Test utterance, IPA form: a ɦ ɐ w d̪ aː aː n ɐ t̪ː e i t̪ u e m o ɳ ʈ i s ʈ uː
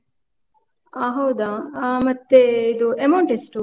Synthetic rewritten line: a ɦ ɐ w d̪ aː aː m ɐ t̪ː e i d̪ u e m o ɳ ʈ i s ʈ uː